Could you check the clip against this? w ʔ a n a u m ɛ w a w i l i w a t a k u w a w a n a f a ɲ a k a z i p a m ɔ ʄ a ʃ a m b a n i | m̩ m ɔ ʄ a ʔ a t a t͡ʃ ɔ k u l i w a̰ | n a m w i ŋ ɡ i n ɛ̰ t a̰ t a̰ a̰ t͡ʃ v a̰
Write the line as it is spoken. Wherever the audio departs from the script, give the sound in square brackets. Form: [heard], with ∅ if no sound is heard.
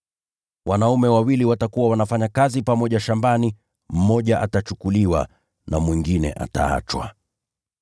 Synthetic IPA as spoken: w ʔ a n a u m ɛ w a w i l i w a t a k u w a w a n a f a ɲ a k a z i p a m ɔ ʄ a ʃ a m b a n i | m̩ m ɔ ʄ a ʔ a t a t͡ʃ [u] k u l i w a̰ | n a m w i ŋ ɡ i n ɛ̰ [ʔ] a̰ t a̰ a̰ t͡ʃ [w] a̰

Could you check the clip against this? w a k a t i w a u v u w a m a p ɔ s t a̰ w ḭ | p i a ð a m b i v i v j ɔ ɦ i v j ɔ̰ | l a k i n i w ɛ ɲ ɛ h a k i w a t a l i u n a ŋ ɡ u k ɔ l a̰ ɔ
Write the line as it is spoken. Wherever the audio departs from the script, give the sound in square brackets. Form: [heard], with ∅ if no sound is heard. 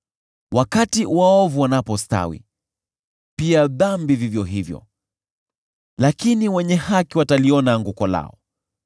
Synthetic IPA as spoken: w a k a t i w a [ɔ] v u w a [n] a p ɔ s t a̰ w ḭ | p i a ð a m b i v i v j ɔ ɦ i v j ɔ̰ | l a k i n i w ɛ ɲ ɛ h a k i w a t a l i [ɔ] n a ŋ ɡ u k ɔ l a̰ ɔ

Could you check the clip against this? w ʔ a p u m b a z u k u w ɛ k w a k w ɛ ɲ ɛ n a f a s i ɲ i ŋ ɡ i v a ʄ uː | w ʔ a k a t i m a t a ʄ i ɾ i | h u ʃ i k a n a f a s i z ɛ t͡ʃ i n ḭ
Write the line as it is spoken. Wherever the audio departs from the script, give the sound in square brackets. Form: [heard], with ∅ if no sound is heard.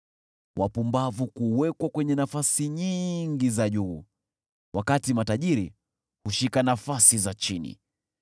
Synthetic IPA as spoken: w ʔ a p u m b a [v] u k u w ɛ k w a k w ɛ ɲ ɛ n a f a s i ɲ i ŋ ɡ i [z] a ʄ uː | w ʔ a k a t i m a t a ʄ i ɾ i | h u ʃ i k a n a f a s i z [a] t͡ʃ i n ḭ

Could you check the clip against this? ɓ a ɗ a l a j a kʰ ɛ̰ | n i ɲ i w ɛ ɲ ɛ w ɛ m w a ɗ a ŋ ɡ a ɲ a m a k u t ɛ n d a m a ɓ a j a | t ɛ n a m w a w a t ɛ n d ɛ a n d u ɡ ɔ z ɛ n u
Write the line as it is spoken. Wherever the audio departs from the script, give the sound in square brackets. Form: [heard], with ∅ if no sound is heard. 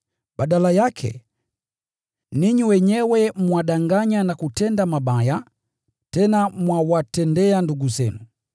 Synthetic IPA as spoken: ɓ a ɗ a l a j a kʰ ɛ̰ | n i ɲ i w ɛ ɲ ɛ w ɛ m w a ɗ a ŋ ɡ a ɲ a [n] a k u t ɛ n d a m a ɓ a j a | t ɛ n a m w a w a t ɛ n d ɛ a n d u ɡ [u] z ɛ n u

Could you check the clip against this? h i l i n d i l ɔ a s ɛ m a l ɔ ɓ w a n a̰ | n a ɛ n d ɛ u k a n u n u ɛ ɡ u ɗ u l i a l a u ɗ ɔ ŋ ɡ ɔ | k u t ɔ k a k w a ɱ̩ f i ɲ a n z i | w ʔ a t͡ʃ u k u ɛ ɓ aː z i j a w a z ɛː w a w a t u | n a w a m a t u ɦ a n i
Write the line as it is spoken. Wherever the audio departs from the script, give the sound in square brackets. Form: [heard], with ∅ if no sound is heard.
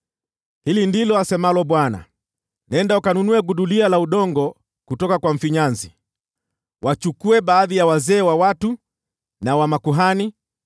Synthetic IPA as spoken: h i l i n d i l ɔ a s ɛ m a l ɔ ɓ w a n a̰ | n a ɛ n d [a] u k a n u n u ɛ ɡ u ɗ u l i a l a u ɗ ɔ ŋ ɡ ɔ | k u t ɔ k a k w a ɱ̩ f i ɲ a n z i | w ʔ a t͡ʃ u k u ɛ ɓ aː [ð] i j a w a z ɛː w a w a t u | n a w a m a [k] u ɦ a n i

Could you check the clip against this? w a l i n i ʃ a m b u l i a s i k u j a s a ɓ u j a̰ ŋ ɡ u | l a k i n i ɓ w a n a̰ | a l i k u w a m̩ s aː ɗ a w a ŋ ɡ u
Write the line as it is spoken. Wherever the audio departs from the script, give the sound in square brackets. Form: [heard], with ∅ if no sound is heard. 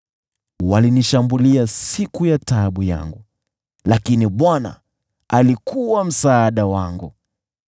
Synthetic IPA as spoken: w a l i n i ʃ a m b u l i a s i k u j a [t] a ɓ u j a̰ ŋ ɡ u | l a k i n i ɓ w a n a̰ | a l i k u w a m̩ s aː ɗ a w a ŋ ɡ u

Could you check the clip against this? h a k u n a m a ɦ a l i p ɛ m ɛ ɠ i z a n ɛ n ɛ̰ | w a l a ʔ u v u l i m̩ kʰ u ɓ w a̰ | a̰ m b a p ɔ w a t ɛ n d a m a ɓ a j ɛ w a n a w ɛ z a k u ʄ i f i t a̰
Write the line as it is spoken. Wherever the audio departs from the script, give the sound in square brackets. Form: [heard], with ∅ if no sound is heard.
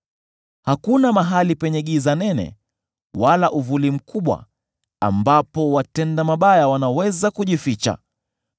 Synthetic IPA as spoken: h a k u n a m a ɦ a l i p ɛ [ɲ] ɛ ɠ i z a n ɛ n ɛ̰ | w a l a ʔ u v u l i m̩ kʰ u ɓ w a̰ | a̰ m b a p ɔ w a t ɛ n d a m a ɓ a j [a] w a n a w ɛ z a k u ʄ i f i [t͡ʃ] a̰

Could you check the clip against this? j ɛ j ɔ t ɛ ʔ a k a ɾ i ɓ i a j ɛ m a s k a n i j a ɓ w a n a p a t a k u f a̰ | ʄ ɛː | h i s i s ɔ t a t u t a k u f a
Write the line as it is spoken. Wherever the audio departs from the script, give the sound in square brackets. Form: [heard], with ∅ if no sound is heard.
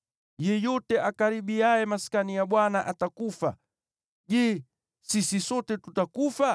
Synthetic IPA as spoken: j ɛ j ɔ t ɛ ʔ a k a ɾ i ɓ i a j ɛ m a s k a n i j a ɓ w a n a [ʔ] a t a k u f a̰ | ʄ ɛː | [s] i s i s ɔ t [ɛ] t u t a k u f a

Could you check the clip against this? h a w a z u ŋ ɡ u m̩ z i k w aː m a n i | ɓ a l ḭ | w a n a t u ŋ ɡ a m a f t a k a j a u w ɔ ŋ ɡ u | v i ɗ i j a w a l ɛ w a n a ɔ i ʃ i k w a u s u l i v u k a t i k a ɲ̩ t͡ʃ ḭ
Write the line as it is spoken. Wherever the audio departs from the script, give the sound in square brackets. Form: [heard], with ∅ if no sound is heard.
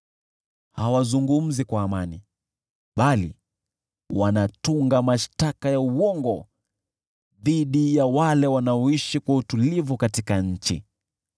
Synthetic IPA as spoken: h a w a z u ŋ ɡ u m̩ z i k w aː m a n i | ɓ a l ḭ | w a n a t u ŋ ɡ a m a [ʃ] t a k a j a u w ɔ ŋ ɡ [ɔ] | [ð] i ɗ i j a w a l ɛ w a n a ɔ i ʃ i k w a u [t] u l i v u k a t i k a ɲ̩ t͡ʃ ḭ

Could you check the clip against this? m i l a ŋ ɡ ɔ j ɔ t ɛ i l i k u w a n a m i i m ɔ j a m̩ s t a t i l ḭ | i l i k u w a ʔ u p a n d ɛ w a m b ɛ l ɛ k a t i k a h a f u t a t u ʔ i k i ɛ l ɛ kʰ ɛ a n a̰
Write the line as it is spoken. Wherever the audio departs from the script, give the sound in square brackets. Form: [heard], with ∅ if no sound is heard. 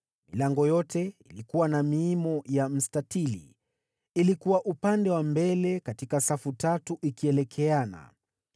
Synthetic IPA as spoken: m i l a ŋ ɡ ɔ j ɔ t ɛ i l i k u w a n a m i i m ɔ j a m̩ s t a t i l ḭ | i l i k u w a ʔ u p a n d ɛ w a m b ɛ l ɛ k a t i k a [s] a f u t a t u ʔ i k i ɛ l ɛ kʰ ɛ a n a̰

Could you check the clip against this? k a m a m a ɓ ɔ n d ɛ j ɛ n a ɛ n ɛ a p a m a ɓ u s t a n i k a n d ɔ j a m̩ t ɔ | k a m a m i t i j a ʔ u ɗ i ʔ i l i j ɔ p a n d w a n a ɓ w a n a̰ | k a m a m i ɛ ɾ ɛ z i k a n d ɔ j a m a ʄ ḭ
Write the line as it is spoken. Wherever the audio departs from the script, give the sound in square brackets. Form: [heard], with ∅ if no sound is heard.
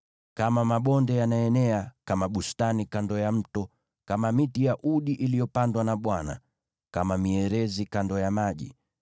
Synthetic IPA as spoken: k a m a m a ɓ ɔ n d ɛ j [a] n a ɛ n ɛ a [k] a m a ɓ u s t a n i k a n d ɔ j a m̩ t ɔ | k a m a m i t i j a ʔ u ɗ i ʔ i l i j ɔ p a n d w a n a ɓ w a n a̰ | k a m a m i ɛ ɾ ɛ z i k a n d ɔ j a m a ʄ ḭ

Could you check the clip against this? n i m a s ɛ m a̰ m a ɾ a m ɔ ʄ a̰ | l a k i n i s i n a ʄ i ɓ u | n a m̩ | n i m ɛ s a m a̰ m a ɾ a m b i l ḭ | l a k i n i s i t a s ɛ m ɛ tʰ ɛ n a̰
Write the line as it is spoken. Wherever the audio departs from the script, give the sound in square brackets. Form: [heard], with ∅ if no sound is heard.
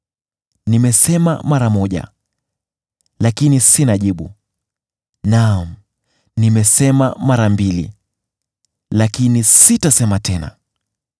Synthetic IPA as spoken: n i m [ɛ] s ɛ m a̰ m a ɾ a m ɔ ʄ a̰ | l a k i n i s i n a ʄ i ɓ u | n a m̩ | n i m ɛ s [ɛ] m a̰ m a ɾ a m b i l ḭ | l a k i n i s i t a s ɛ m [a] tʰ ɛ n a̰

